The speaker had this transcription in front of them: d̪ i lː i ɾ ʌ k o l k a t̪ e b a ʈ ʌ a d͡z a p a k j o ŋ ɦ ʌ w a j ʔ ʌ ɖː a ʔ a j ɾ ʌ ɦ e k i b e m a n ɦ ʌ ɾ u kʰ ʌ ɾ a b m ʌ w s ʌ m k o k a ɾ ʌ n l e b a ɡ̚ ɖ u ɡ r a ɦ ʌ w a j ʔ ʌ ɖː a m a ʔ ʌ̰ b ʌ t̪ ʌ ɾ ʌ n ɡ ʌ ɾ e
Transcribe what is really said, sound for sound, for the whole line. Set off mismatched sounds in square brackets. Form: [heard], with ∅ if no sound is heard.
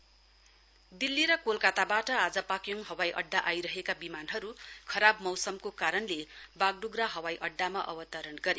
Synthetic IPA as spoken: d̪ i lː i ɾ ʌ k o l k a t̪ [a] b a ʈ ʌ a d͡z [ʌ] p a k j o ŋ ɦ ʌ w a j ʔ ʌ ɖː a ʔ a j ɾ ʌ ɦ e k [a] b [i] m a n ɦ ʌ ɾ u kʰ ʌ ɾ a b m ʌ w s ʌ m k o k a ɾ ʌ n l e b a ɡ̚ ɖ u ɡ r a ɦ ʌ w a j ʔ ʌ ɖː a m a ʔ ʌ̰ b ʌ t̪ ʌ ɾ ʌ n ɡ ʌ ɾ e